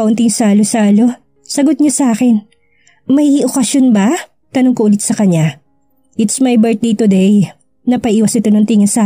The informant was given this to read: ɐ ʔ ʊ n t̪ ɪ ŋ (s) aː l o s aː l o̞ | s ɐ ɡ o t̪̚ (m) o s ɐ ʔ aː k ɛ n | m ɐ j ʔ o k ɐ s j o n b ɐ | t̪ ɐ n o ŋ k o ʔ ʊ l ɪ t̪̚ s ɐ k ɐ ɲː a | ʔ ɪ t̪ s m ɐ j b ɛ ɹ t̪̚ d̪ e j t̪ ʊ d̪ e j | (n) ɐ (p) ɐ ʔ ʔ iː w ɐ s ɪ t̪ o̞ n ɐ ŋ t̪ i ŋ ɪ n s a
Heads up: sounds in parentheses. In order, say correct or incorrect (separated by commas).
correct, incorrect, correct, correct